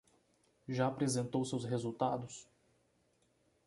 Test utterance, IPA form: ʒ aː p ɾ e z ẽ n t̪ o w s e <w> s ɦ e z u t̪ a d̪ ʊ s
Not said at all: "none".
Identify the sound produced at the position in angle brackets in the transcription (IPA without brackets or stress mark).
w